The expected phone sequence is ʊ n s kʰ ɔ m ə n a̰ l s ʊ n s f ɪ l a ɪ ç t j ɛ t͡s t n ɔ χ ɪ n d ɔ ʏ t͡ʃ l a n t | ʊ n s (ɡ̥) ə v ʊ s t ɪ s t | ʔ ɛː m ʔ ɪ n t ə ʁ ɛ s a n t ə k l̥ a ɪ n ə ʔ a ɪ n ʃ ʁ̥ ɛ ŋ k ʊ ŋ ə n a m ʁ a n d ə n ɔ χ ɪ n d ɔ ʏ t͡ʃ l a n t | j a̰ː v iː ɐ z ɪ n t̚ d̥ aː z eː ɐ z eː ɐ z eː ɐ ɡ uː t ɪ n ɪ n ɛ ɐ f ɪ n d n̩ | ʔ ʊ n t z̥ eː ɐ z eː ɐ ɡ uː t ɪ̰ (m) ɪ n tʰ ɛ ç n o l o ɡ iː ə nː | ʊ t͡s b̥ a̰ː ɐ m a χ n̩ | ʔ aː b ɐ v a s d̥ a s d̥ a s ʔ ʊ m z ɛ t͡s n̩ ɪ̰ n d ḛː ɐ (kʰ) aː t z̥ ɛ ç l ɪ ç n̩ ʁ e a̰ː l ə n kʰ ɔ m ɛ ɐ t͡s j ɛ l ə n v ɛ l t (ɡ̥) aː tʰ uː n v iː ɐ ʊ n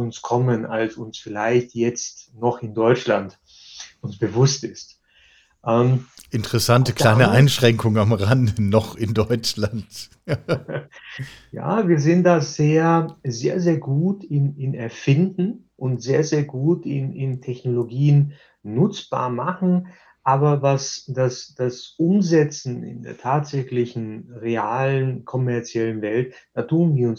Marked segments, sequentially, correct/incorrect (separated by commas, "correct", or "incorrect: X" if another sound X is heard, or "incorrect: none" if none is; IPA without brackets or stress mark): incorrect: b̥, incorrect: n, incorrect: tʰ, incorrect: d̥